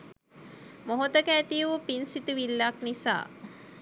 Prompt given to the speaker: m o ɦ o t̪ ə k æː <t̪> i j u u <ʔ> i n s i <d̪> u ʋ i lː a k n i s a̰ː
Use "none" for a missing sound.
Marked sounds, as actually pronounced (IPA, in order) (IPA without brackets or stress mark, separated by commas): t̪, p, t̪